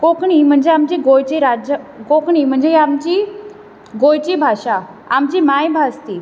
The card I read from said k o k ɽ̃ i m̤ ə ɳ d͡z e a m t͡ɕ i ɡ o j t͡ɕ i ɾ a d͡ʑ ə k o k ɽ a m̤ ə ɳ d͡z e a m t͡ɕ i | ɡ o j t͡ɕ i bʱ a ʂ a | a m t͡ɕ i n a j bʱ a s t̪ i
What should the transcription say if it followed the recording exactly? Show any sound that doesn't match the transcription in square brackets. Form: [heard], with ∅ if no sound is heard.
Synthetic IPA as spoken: k o k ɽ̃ i m̤ ə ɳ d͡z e a m t͡ɕ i ɡ o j t͡ɕ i ɾ a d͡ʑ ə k o k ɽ [i] m̤ ə ɳ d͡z e a m t͡ɕ i | ɡ o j t͡ɕ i bʱ a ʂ a | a m t͡ɕ i [m] a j bʱ a s t̪ i